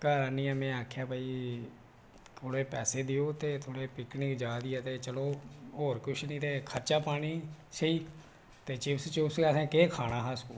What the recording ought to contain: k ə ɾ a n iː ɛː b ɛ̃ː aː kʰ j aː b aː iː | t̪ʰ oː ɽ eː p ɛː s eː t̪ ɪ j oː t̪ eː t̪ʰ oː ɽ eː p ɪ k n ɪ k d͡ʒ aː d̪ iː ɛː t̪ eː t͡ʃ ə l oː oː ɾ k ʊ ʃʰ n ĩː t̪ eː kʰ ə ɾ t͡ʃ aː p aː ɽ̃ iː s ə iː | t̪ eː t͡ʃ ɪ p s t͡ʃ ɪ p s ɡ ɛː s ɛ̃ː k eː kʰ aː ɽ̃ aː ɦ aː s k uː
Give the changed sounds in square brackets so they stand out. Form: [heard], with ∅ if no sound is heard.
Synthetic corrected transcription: k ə ɾ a n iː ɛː [m] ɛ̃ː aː kʰ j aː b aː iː | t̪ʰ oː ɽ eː p ɛː s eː [d̪] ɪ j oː t̪ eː t̪ʰ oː ɽ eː p ɪ k n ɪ k d͡ʒ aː d̪ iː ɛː t̪ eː t͡ʃ ə l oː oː ɾ k ʊ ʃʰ n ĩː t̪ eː kʰ ə ɾ t͡ʃ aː p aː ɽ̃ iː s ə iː | t̪ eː t͡ʃ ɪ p s t͡ʃ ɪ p s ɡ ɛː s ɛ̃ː k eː kʰ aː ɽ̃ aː ɦ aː s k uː